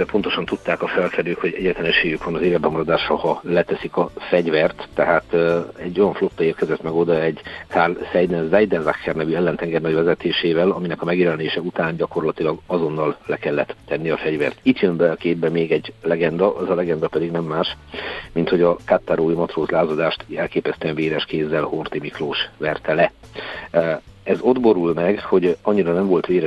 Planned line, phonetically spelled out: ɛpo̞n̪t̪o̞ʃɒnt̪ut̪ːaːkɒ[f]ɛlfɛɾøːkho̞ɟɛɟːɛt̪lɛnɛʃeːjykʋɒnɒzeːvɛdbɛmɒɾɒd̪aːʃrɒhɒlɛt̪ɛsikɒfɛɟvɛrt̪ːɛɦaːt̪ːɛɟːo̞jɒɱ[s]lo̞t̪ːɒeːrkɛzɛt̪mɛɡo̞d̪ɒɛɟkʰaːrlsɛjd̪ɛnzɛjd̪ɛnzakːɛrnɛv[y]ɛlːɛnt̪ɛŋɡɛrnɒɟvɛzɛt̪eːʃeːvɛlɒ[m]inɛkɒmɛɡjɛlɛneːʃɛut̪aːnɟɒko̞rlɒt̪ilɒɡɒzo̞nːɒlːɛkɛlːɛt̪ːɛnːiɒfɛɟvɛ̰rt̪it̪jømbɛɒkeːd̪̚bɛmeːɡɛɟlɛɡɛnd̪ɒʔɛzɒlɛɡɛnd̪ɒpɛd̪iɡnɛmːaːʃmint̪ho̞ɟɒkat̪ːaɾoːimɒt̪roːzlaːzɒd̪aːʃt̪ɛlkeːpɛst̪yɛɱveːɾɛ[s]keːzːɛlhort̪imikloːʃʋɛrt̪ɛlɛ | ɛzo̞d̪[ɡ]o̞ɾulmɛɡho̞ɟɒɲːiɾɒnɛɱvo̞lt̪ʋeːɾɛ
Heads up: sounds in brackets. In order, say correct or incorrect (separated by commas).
correct, incorrect, correct, correct, incorrect, incorrect